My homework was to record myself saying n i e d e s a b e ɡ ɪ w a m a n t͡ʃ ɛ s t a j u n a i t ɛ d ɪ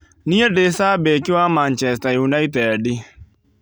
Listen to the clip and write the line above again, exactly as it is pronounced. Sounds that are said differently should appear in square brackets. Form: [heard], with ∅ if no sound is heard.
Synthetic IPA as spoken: n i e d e s a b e [k] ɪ w a m a n t͡ʃ ɛ s t a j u n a i t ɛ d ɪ